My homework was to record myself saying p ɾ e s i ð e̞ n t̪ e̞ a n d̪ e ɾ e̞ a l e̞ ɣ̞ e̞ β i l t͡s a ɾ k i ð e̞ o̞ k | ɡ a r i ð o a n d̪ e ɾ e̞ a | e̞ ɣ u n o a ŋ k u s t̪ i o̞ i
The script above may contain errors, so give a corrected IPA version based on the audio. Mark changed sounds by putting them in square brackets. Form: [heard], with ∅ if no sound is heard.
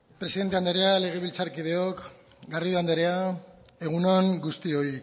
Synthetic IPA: p ɾ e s i ð e̞ n t̪ e̞ a n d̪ e ɾ e̞ a l e̞ ɣ̞ e̞ β i l t͡s a ɾ k i ð e̞ o̞ k | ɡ a r i ð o a n d̪ e ɾ e̞ a | e̞ ɣ u n o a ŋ [ɡ] u s t̪ i o̞ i

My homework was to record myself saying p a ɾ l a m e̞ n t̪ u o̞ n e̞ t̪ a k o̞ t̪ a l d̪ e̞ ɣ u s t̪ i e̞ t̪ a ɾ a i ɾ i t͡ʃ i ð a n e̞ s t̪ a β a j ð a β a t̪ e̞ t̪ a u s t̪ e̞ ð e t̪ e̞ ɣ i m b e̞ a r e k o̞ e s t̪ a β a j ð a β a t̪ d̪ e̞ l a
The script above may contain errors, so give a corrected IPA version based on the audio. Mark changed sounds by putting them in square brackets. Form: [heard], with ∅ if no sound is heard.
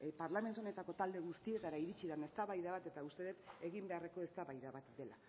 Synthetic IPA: p a ɾ l a m e̞ n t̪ u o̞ n e̞ t̪ a k o̞ t̪ a l d̪ e̞ ɣ u s t̪ i e̞ t̪ a ɾ a i ɾ i t͡ʃ i ð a n e̞ s t̪ a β a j ð a β a t̪ e̞ t̪ a u s t̪ e̞ ð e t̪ e̞ ɣ i m b e̞ a r e k o̞ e s t̪ a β a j ð a β a t̪ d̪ e̞ l a

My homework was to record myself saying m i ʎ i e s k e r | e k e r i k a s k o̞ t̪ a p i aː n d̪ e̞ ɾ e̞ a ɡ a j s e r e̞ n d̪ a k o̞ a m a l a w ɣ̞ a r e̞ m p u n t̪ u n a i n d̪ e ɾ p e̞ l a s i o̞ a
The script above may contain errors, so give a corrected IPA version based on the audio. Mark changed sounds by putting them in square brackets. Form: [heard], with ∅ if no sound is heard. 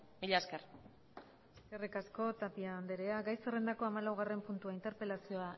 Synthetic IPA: m i ʎ [a] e s k e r | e k e r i k a s k o̞ t̪ a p i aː n d̪ e̞ ɾ e̞ a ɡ a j s e r e̞ n d̪ a k o̞ a m a l a w ɣ̞ a r e̞ m p u n t̪ u [∅] a i n [t̪] e ɾ p e̞ l a s i o̞ a

